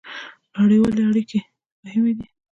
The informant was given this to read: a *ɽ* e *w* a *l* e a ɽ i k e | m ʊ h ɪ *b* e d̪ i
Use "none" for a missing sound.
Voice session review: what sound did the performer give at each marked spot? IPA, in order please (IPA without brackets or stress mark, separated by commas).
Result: ɽ, w, l, m